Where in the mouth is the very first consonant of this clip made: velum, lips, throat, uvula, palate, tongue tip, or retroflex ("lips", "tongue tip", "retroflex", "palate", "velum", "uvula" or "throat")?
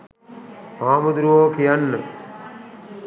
lips